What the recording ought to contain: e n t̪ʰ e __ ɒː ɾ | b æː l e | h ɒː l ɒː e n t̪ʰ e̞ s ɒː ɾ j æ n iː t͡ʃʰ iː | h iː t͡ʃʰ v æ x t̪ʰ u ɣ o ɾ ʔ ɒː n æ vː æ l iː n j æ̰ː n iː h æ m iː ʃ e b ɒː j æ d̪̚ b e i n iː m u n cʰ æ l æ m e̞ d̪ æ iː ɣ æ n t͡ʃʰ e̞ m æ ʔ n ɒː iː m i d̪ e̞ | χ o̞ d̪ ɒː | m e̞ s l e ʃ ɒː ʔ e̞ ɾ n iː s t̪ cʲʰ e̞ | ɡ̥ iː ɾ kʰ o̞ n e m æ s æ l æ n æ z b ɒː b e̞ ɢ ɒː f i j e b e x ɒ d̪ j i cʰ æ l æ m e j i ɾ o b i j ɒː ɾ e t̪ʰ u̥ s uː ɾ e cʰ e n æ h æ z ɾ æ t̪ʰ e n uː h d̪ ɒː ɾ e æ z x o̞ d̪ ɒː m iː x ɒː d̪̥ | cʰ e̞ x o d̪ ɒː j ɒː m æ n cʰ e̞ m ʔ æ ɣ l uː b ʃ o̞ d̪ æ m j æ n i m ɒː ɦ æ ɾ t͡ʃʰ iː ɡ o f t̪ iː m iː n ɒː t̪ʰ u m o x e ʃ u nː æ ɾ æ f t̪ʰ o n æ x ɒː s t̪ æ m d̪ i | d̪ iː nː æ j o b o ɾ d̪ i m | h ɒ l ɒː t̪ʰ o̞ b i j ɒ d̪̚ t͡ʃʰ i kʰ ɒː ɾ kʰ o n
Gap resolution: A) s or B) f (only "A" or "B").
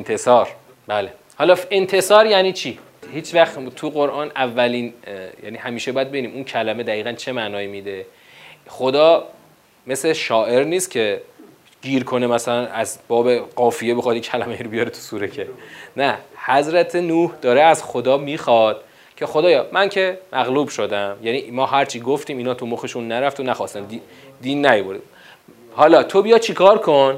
A